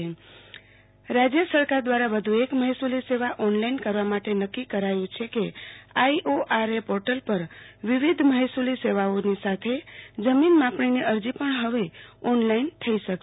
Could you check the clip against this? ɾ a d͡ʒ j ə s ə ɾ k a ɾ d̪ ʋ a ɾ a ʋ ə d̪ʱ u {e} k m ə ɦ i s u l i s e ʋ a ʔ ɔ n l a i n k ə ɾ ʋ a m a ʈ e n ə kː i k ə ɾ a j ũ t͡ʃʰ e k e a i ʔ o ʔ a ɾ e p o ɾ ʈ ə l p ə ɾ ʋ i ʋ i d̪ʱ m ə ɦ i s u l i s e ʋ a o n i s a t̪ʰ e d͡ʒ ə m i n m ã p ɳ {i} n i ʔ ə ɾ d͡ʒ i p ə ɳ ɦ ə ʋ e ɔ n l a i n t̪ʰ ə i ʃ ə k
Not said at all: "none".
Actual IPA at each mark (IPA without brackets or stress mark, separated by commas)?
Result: e, i